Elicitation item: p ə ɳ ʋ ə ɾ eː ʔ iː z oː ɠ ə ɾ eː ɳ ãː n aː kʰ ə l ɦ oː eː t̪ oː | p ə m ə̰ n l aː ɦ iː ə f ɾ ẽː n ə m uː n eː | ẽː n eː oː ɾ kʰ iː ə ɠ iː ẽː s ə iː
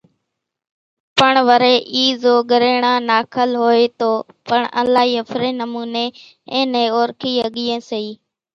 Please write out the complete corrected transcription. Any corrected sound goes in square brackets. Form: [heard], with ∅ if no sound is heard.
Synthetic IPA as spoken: p ə ɳ ʋ ə ɾ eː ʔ iː z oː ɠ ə ɾ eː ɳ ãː n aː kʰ ə l ɦ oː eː t̪ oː | p ə [ɳ] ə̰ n l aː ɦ iː ə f ɾ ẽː n ə m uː n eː | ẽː n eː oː ɾ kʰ iː ə ɠ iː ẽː s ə iː